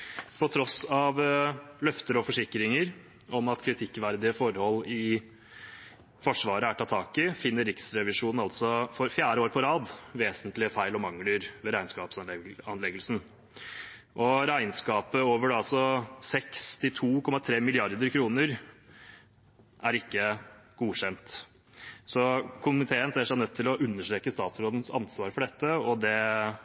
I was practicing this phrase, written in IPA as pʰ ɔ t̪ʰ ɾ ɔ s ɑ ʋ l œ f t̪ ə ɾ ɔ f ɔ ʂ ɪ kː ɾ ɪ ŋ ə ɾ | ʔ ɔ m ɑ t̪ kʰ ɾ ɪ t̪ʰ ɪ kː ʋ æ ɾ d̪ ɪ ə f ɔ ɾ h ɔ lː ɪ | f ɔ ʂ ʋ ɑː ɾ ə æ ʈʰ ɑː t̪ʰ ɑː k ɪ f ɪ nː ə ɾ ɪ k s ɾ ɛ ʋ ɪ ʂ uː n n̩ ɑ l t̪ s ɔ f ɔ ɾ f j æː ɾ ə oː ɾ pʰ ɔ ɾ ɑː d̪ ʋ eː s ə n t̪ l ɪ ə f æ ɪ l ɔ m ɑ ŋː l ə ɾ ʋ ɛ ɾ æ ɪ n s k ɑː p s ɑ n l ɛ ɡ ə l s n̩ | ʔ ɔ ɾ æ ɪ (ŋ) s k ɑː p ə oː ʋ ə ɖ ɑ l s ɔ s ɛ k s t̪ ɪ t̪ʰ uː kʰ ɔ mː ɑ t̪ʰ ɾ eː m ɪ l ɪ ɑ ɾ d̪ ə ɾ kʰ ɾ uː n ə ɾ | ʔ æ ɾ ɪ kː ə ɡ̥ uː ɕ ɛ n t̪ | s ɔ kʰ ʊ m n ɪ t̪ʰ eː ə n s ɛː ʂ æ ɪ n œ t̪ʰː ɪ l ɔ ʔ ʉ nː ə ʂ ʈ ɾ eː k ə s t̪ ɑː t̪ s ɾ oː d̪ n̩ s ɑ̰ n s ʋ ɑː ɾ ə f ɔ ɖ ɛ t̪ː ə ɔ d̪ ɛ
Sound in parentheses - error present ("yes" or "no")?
yes